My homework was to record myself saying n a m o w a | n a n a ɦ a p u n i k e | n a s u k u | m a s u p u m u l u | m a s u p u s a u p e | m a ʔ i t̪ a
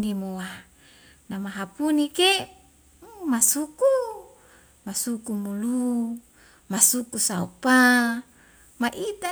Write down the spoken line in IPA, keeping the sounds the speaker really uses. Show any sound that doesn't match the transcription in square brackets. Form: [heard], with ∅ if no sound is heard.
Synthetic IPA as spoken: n [i] m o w a | n a [m] a ɦ a p u n i k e | [m] a s u k u | m a s u [k] u m u l u | m a s u [k] u s a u p [a] | m a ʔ i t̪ a